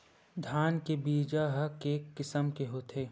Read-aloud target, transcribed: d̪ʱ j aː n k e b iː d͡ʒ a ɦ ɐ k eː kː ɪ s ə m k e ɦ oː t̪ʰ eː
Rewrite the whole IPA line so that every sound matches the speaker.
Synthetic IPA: d̪ʱ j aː n k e b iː d͡ʒ a ɦ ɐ k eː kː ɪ s ə m k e ɦ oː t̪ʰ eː